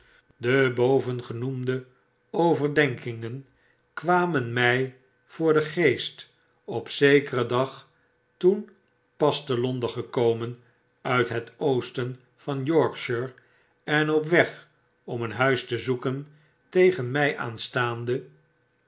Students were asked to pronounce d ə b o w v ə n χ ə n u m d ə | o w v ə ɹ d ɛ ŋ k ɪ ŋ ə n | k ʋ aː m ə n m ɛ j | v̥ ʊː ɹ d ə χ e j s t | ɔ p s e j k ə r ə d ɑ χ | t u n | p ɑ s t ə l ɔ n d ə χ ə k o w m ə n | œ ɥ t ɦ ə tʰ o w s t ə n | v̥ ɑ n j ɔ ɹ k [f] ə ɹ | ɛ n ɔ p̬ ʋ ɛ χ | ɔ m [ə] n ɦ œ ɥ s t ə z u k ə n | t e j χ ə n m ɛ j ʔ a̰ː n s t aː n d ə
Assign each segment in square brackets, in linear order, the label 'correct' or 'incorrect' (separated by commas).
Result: incorrect, correct